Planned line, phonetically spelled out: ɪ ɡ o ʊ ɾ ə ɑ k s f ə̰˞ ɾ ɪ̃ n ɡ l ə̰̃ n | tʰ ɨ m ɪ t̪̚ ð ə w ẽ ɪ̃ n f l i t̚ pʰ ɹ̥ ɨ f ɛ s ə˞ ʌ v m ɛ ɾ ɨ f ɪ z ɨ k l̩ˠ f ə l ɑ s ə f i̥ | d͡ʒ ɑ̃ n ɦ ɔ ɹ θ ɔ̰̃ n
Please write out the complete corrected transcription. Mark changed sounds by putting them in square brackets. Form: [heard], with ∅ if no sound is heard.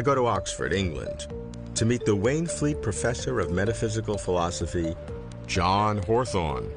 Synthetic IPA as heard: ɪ ɡ o ʊ ɾ ə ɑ k s f ə̰˞ ɾ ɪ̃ [ŋ] ɡ l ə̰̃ n | tʰ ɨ m [i] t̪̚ ð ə w ẽ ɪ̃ n f l i t̚ pʰ ɹ̥ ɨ f ɛ s ə˞ ʌ v m ɛ ɾ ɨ f ɪ z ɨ k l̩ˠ f ə l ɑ s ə f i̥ | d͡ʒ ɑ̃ n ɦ ɔ ɹ θ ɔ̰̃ n